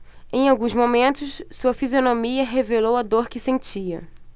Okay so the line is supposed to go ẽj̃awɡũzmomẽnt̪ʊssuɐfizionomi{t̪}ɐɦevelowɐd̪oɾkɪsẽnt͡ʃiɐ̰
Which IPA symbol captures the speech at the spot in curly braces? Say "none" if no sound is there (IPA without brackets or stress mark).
none